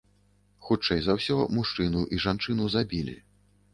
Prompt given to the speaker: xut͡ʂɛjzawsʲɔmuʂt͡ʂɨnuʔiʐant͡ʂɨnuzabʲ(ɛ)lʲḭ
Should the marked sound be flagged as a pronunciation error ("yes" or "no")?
yes